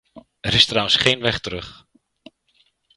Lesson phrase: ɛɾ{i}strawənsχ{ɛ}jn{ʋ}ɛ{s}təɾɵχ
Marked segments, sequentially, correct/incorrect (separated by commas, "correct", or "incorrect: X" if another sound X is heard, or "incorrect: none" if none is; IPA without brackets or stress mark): incorrect: ɪ, incorrect: e, correct, incorrect: χ